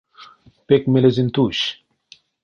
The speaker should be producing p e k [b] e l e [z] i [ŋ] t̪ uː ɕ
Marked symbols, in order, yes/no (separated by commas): no, yes, no